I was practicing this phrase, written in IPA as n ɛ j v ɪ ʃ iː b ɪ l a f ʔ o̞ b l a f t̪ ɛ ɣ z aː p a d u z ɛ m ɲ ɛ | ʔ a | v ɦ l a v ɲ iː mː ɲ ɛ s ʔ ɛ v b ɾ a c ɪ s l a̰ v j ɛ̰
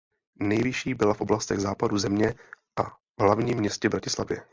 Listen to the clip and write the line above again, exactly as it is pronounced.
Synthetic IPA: n ɛ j v ɪ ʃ iː b ɪ l a f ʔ o̞ b l a s t̪ ɛ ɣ z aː p a d u z ɛ m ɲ ɛ | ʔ a | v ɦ l a v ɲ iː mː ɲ ɛ s c ɛ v b ɾ a c ɪ s l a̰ v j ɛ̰